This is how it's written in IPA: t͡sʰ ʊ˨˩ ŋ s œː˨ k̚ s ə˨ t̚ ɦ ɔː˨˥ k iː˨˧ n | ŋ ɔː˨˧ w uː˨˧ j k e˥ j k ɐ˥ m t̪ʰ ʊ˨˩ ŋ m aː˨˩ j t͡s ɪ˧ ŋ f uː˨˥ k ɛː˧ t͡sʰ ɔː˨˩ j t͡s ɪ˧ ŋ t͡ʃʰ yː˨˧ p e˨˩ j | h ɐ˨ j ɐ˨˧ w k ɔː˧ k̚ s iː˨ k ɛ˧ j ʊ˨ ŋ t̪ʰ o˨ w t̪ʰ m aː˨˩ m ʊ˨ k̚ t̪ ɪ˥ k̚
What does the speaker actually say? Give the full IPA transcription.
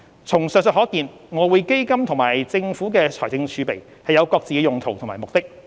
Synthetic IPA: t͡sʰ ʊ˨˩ ŋ s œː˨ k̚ s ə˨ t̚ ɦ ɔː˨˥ k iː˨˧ n | ŋ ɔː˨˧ w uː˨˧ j k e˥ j k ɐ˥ m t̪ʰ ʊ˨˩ ŋ m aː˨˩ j t͡s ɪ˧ ŋ f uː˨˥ k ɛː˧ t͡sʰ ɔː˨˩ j t͡s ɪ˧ ŋ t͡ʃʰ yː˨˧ p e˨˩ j | h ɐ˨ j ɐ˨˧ w k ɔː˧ k̚ t͡s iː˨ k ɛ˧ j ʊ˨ ŋ t̪ʰ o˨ w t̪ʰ m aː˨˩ m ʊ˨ k̚ t̪ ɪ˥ k̚